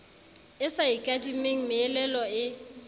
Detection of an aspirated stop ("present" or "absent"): absent